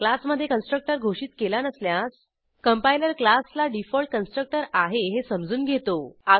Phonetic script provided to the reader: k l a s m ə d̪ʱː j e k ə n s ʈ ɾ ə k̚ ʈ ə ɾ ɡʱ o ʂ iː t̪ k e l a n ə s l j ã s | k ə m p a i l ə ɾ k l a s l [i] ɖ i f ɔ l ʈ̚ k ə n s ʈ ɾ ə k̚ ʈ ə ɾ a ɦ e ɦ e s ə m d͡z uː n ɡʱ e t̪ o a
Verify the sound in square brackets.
incorrect: a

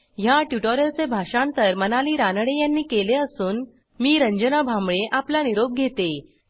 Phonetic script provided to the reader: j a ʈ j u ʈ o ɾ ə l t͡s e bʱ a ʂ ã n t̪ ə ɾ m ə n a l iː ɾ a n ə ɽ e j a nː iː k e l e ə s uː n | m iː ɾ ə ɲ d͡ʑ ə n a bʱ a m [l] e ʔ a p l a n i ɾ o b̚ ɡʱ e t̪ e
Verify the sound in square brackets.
incorrect: ɭ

